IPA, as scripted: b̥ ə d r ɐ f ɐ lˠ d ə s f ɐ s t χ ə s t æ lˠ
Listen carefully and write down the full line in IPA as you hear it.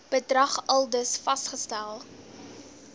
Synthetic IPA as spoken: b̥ ə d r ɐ χ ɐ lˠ d ə s f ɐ s t χ ə s t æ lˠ